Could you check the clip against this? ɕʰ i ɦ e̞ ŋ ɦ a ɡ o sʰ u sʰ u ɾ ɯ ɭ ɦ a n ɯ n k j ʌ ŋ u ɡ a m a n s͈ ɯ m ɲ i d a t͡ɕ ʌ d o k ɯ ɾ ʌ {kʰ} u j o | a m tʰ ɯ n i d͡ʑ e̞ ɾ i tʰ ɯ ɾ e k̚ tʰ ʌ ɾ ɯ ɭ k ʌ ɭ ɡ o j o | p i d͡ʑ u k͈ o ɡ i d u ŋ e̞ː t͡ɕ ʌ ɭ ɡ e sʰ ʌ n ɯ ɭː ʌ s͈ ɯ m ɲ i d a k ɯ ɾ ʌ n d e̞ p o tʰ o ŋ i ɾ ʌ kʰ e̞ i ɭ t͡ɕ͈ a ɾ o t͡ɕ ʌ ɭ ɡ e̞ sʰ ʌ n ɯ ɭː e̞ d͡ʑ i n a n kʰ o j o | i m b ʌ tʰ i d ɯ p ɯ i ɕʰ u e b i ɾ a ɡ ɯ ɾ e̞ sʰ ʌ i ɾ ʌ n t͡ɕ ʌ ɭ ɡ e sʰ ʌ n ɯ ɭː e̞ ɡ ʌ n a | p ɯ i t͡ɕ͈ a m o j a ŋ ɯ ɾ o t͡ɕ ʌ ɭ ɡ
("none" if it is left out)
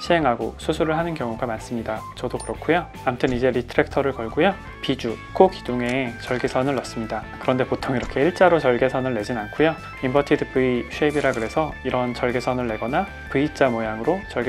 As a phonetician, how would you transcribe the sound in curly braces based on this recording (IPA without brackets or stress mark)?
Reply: kʰ